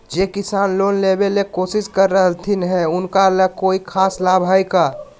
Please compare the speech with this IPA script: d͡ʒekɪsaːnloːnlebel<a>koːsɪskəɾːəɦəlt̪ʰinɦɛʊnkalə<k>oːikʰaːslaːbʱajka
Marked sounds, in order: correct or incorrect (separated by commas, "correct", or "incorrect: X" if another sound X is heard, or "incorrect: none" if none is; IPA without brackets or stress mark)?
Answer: incorrect: e, correct